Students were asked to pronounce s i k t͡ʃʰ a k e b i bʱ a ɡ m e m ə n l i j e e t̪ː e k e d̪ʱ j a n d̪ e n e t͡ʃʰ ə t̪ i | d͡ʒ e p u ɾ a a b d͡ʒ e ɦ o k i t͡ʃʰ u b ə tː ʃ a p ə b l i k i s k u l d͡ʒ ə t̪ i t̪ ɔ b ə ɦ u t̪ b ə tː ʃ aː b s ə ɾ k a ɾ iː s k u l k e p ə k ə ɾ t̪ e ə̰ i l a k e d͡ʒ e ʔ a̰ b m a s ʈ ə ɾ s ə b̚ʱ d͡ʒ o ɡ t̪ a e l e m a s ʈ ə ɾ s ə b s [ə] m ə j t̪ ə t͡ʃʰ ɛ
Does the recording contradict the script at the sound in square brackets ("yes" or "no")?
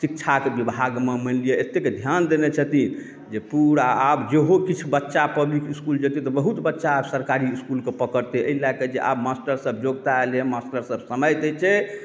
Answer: no